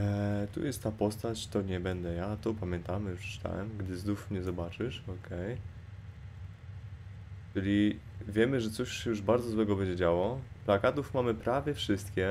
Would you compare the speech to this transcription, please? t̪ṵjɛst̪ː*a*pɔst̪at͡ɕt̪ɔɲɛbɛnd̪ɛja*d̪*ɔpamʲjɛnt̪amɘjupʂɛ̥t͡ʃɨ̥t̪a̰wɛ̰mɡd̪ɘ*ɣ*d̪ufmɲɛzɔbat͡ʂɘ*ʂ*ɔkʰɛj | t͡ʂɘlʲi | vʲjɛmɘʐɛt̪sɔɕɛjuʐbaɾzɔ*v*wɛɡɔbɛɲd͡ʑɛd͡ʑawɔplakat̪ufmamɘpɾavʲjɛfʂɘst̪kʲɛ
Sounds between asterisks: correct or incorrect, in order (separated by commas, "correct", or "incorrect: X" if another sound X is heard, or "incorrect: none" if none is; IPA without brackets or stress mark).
correct, incorrect: t̪, incorrect: z, correct, incorrect: z